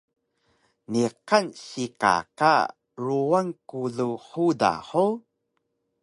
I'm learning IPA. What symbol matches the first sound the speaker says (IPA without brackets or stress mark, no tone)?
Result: n